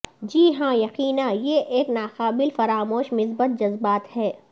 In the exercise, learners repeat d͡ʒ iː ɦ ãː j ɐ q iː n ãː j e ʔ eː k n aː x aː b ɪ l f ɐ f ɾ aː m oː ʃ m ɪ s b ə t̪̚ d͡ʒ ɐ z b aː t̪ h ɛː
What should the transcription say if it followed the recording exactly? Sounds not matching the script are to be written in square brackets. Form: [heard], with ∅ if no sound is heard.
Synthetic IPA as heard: d͡ʒ iː ɦ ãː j ɐ q iː n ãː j e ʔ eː k n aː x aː b ɪ l f ɐ [∅] ɾ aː m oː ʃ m ɪ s b ə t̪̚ d͡ʒ ɐ z b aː t̪ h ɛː